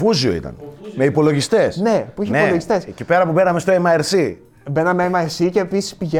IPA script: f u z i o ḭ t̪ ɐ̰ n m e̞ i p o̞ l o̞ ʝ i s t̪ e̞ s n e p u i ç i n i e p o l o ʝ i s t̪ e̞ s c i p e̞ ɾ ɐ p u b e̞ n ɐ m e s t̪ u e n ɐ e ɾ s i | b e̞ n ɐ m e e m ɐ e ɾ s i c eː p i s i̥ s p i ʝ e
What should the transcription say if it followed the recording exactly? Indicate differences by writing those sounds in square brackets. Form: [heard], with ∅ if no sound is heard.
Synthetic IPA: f u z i o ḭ t̪ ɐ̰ n m e̞ i p o̞ l o̞ ʝ i s t̪ e̞ s n e p u i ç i n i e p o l o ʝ i s t̪ e̞ s c i p e̞ ɾ ɐ p u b e̞ n ɐ m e s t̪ [o] e [m] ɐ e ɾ s i | b e̞ n ɐ m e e m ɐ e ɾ s i c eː p i s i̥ s p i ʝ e